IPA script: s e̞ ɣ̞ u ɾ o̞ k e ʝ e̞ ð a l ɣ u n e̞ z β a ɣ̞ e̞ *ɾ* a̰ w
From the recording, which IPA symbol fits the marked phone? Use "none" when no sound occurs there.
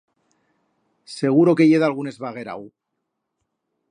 ɾ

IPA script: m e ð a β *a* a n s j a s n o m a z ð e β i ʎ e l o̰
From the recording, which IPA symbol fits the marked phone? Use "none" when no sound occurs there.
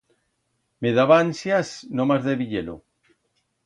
a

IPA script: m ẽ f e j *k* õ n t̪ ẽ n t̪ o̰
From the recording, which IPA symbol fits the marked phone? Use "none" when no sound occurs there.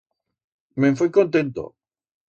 k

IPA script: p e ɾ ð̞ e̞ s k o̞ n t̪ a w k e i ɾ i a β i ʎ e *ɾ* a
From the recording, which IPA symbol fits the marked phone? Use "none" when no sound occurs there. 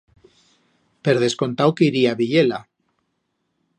l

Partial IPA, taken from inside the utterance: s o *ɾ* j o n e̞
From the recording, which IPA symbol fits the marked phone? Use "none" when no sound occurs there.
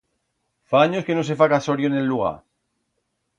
ɾ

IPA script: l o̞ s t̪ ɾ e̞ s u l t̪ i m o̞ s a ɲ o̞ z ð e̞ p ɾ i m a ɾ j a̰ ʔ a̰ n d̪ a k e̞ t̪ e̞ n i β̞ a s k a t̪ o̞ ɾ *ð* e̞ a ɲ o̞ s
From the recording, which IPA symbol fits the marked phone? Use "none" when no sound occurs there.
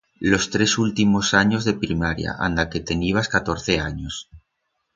θ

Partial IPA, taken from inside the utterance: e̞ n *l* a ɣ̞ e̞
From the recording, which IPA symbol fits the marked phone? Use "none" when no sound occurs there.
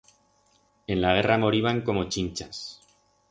l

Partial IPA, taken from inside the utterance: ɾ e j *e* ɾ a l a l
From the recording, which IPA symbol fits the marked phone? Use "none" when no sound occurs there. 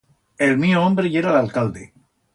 e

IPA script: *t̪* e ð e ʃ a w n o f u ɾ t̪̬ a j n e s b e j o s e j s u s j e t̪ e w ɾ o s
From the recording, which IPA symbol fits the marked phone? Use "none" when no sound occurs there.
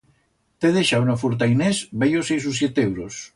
t̪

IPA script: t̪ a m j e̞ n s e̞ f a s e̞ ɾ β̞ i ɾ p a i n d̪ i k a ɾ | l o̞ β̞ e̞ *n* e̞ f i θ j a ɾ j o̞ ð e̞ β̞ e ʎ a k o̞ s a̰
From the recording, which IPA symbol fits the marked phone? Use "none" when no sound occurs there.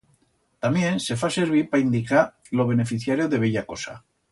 n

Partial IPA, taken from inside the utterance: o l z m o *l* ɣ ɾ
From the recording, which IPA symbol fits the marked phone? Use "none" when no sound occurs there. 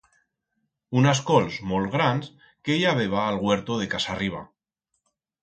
l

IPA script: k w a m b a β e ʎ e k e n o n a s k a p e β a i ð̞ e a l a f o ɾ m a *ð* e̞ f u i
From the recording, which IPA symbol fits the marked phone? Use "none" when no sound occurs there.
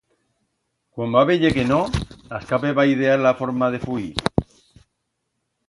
ð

